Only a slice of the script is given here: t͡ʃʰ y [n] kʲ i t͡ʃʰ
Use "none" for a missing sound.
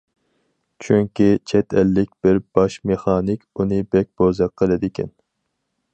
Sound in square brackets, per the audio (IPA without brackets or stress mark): ŋ